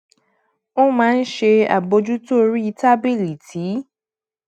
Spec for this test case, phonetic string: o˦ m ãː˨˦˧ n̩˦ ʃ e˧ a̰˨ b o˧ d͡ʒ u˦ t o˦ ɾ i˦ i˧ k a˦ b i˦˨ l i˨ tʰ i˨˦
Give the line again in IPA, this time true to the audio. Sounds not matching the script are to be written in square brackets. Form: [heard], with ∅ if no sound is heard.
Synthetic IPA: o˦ m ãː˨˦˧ n̩˦ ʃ e˧ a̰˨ b o˧ d͡ʒ u˦ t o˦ ɾ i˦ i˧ [t] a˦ b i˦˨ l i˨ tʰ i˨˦